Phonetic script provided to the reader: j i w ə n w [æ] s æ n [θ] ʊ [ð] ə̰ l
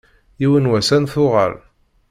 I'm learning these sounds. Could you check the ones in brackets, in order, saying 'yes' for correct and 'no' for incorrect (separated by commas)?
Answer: yes, yes, no